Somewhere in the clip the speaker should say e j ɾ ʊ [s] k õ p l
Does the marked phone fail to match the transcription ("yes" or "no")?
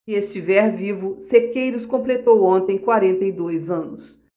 no